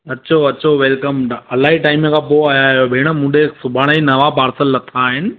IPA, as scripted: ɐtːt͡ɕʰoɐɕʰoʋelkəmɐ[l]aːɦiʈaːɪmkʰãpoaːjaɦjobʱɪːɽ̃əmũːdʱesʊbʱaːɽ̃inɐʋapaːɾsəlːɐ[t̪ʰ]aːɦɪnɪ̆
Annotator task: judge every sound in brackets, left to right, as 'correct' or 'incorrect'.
correct, correct

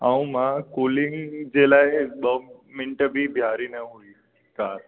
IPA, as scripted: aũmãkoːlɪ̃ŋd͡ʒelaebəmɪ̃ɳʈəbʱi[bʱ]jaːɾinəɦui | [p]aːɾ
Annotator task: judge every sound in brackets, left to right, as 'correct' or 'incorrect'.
correct, incorrect: k

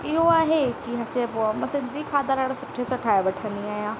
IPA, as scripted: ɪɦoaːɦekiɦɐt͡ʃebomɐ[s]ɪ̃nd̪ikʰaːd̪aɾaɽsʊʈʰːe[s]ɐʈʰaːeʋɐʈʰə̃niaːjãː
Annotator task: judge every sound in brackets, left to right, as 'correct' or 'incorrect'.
correct, correct

